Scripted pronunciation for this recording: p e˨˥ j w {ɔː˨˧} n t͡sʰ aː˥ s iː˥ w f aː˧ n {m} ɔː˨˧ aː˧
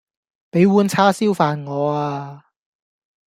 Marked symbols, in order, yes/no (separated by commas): no, no